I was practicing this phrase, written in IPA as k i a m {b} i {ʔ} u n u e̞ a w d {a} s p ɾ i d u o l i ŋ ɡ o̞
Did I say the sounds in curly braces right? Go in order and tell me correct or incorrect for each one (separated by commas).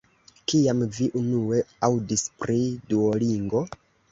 incorrect, correct, incorrect